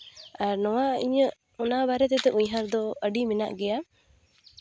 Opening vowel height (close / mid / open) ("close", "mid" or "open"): open